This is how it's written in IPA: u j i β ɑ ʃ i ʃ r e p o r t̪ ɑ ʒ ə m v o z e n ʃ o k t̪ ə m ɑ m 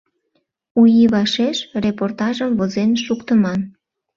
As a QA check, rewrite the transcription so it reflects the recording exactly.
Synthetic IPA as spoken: u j i β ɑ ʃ e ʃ r e p o r t̪ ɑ ʒ ə m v o z e n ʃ u k t̪ ə m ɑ n